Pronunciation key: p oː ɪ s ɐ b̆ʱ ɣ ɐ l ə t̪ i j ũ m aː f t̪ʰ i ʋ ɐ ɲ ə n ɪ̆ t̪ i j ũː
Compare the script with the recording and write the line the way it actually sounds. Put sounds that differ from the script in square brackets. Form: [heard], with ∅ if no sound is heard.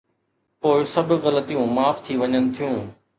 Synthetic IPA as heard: p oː ɪ s ɐ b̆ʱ ɣ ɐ l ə t̪ i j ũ m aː f t̪ʰ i ʋ ɐ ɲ ə n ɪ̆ [t̪ʰ] i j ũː

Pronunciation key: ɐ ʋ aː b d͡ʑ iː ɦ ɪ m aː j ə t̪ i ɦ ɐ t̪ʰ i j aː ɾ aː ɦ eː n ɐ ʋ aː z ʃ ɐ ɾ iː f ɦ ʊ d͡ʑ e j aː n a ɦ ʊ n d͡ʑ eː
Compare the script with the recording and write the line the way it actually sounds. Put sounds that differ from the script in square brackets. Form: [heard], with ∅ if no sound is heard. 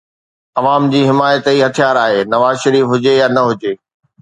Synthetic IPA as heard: ɐ ʋ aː [m] d͡ʑ iː ɦ ɪ m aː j ə t̪ i ɦ ɐ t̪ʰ i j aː ɾ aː ɦ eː n ɐ ʋ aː z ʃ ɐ ɾ iː f ɦ ʊ d͡ʑ e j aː n [ɐ] ɦ ʊ [∅] d͡ʑ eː

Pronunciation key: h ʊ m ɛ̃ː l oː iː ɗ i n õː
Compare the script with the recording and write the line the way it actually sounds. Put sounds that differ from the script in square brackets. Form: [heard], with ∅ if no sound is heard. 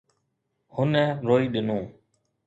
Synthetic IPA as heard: h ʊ [n] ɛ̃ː [ɾ] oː iː ɗ [ɪ] n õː

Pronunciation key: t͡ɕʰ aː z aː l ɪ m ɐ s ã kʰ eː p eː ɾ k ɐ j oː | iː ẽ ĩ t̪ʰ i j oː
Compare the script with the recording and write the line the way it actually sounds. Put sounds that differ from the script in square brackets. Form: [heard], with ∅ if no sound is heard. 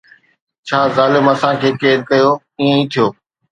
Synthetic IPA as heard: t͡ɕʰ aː z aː l ɪ m ɐ s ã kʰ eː [k] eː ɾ k ɐ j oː | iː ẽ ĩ t̪ʰ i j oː

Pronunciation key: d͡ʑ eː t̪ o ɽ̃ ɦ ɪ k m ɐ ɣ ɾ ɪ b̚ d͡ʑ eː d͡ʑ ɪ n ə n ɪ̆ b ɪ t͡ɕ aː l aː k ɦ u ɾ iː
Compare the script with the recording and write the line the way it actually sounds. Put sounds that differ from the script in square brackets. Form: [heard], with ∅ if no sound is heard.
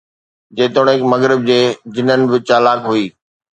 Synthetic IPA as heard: d͡ʑ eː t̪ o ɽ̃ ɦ ɪ k m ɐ ɣ ɾ ɪ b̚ d͡ʑ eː d͡ʑ ɪ n ə n ɪ̆ b ɪ t͡ɕ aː l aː k ɦ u [∅] iː

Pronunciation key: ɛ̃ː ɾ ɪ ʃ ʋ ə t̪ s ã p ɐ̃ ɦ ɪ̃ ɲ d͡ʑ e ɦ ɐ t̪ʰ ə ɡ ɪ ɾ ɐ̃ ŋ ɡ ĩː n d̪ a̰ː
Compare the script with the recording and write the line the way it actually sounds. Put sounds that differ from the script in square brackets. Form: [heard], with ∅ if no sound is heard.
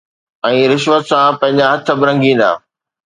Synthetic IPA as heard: ɛ̃ː ɾ ɪ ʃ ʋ ə t̪ s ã p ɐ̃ ɦ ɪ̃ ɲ d͡ʑ [a] ɦ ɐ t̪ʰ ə [b] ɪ ɾ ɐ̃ ŋ ɡ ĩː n d̪ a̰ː

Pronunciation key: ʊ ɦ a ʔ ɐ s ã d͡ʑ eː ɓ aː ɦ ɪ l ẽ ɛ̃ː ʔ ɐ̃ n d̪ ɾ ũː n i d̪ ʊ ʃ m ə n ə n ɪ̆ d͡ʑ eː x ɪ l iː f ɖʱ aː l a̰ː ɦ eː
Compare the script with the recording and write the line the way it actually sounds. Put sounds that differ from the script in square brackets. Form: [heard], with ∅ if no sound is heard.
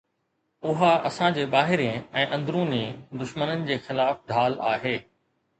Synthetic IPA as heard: ʊ ɦ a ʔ ɐ s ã d͡ʑ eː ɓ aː ɦ ɪ [ɾ] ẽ ɛ̃ː ʔ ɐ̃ n d̪ ɾ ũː n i d̪ ʊ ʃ m ə n ə n ɪ̆ d͡ʑ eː x ɪ l [aː] f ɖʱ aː l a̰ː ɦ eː

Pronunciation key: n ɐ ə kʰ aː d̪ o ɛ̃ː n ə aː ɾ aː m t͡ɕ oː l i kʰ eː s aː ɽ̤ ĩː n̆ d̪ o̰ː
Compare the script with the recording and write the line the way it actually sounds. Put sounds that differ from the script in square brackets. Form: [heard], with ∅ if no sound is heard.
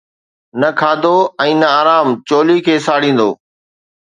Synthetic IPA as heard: n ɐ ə kʰ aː d̪ o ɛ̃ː n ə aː ɾ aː m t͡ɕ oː l i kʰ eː s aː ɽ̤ ĩː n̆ d̪ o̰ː

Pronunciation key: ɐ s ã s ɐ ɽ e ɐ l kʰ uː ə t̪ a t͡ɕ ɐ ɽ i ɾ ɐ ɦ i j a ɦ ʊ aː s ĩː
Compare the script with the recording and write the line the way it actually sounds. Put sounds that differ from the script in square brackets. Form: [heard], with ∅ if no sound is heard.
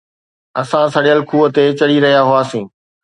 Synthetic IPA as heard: ɐ s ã s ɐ ɽ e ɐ l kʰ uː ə t̪ [e] t͡ɕ ɐ ɽ i ɾ ɐ ɦ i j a ɦ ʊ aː s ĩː

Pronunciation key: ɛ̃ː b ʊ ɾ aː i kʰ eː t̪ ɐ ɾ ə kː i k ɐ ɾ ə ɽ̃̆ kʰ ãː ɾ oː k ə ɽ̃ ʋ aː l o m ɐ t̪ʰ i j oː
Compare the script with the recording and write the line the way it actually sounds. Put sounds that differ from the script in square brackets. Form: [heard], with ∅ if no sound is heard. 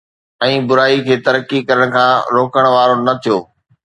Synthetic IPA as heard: ɛ̃ː b ʊ ɾ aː i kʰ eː t̪ ɐ ɾ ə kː i k ɐ ɾ ə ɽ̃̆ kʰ ãː ɾ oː k ə ɽ̃ ʋ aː [ɾ] o [n] ɐ t̪ʰ i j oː

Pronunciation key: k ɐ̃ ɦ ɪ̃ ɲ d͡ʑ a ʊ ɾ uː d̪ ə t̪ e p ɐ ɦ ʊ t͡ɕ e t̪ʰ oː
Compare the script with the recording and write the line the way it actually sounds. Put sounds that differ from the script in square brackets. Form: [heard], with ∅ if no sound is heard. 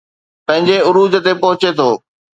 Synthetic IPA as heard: [p] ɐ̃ ɦ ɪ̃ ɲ d͡ʑ [e] ʊ ɾ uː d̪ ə t̪ e p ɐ ɦ ʊ t͡ɕ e t̪ʰ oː

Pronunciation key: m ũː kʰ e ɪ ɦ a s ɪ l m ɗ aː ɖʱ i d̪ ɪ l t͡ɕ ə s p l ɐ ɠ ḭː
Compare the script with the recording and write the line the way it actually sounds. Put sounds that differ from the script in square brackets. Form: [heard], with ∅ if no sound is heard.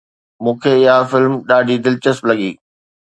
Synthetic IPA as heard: m ũː kʰ e ɪ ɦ a [f] ɪ l m ɗ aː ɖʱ i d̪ ɪ l t͡ɕ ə s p l ɐ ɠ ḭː

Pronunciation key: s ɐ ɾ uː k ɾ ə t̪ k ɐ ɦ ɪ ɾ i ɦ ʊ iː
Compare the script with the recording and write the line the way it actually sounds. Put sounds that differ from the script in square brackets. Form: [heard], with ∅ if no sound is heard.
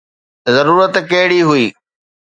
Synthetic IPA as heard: [z] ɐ ɾ uː [∅] ɾ ə t̪ k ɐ ɦ ɪ [ɽ] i ɦ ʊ iː

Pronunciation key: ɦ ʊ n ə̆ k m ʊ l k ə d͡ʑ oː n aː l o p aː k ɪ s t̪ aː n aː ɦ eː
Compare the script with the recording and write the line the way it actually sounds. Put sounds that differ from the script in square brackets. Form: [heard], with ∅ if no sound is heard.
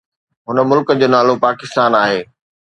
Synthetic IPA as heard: ɦ ʊ n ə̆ [∅] m ʊ l k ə d͡ʑ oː n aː l o p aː k ɪ s t̪ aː n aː ɦ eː

